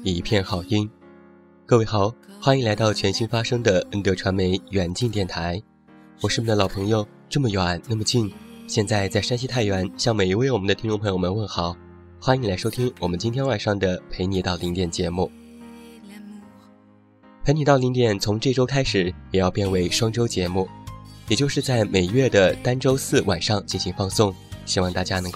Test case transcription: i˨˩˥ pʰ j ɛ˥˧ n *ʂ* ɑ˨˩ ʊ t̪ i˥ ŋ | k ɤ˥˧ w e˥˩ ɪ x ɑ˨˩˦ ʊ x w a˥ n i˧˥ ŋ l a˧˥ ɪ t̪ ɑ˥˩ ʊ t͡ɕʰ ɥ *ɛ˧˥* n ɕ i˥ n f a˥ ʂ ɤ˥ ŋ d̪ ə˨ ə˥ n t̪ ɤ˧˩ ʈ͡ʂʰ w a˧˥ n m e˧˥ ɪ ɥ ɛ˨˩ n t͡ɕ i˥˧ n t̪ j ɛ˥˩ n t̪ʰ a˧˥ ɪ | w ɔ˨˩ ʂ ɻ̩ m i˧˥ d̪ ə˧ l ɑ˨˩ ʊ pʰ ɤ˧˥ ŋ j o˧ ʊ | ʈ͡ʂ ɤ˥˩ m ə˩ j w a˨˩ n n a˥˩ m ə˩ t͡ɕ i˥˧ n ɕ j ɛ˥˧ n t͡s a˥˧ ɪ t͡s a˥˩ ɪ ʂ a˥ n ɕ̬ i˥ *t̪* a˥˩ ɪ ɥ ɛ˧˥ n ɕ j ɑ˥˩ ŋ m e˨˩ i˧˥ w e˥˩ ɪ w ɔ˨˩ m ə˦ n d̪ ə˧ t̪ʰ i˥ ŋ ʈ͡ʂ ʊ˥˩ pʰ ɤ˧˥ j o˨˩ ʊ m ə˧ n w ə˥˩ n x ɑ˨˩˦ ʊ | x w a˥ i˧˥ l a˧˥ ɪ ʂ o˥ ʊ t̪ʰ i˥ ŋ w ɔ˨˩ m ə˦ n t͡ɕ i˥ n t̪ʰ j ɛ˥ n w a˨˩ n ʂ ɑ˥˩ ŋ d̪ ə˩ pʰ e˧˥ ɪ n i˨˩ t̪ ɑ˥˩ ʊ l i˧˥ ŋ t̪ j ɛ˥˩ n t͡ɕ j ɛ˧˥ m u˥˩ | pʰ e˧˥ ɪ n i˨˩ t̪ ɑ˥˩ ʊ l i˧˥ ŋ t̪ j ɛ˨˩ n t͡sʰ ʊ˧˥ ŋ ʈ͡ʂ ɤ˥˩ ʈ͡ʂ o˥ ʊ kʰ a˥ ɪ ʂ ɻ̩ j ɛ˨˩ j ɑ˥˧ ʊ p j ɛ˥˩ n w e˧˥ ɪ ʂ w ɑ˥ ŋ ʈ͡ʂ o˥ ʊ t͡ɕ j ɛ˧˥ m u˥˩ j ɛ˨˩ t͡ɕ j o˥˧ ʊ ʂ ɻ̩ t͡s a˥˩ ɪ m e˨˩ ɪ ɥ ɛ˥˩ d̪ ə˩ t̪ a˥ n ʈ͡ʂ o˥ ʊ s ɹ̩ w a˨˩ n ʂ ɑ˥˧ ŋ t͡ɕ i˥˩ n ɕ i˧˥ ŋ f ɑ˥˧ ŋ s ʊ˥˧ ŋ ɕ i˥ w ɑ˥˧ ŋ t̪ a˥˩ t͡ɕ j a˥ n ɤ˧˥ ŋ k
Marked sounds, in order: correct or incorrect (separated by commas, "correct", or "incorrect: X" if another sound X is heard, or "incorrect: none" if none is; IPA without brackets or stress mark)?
incorrect: x, correct, incorrect: t̪ʰ